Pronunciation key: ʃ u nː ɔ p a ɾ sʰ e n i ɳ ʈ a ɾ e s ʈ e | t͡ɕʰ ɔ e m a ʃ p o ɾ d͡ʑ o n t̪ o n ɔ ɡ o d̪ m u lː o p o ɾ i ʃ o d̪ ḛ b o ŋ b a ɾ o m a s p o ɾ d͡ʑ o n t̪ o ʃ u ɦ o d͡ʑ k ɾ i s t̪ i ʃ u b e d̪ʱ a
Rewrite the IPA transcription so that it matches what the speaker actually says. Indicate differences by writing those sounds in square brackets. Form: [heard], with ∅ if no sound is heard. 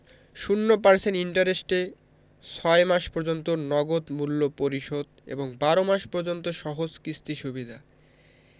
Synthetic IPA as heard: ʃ u nː [o] p a ɾ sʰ e n i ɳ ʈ a ɾ e s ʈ e | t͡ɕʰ ɔ e m a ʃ p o ɾ d͡ʑ o n t̪ o n ɔ ɡ o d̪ m u lː o p o ɾ i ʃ o d̪ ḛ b o ŋ b a ɾ o m a [ʃ] p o ɾ d͡ʑ o n t̪ o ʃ [ɔ] ɦ o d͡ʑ k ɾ i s t̪ i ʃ u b [i] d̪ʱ a